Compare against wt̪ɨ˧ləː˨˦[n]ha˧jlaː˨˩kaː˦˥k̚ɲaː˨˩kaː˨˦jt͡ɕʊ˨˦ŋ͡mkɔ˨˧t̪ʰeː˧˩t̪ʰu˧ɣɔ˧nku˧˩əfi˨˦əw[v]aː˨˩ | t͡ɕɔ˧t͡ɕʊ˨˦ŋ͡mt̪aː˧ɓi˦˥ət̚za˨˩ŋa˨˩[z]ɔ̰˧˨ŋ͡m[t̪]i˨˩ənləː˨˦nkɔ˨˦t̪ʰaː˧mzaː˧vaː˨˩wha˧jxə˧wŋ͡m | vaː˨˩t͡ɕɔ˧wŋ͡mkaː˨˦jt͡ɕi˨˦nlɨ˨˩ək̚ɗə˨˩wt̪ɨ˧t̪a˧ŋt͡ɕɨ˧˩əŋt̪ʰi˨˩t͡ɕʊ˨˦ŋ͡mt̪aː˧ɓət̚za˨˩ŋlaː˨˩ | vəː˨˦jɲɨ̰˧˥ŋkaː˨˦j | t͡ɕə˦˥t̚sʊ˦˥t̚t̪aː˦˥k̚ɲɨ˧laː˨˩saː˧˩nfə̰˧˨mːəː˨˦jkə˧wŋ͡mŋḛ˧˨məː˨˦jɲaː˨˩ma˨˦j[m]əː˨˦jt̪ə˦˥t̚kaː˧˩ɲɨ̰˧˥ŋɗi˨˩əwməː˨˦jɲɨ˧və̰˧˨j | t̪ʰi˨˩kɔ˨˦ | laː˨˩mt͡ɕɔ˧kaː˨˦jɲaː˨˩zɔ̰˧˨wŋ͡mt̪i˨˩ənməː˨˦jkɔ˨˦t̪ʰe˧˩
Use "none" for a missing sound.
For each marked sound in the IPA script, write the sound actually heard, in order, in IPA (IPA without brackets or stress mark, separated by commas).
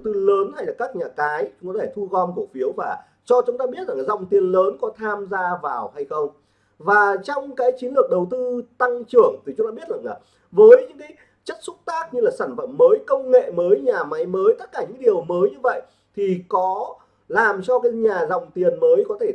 n, v, z, t̪, m